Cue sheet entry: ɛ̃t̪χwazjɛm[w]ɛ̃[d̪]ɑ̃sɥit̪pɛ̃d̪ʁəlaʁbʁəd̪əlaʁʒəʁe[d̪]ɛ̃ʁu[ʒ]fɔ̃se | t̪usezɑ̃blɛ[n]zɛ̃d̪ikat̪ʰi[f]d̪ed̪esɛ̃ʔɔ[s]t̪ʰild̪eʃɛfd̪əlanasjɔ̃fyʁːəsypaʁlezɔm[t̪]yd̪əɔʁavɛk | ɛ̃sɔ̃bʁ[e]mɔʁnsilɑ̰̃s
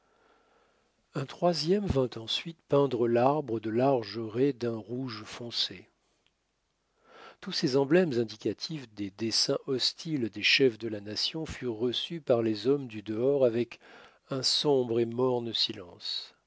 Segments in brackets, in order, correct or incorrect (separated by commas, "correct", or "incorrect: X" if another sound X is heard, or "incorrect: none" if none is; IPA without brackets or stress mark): incorrect: v, incorrect: t̪, correct, correct, incorrect: m, correct, correct, incorrect: d̪, correct